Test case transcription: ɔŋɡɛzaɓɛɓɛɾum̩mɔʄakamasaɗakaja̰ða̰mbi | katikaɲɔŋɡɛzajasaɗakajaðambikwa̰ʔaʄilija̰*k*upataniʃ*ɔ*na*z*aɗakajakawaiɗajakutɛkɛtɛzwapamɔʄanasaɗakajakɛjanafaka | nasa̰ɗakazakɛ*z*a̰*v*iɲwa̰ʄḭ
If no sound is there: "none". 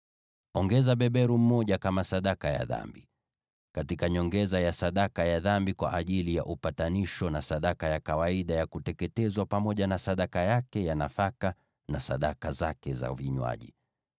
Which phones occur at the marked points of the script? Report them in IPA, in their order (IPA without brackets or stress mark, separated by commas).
ʔ, ɔ, s, z, v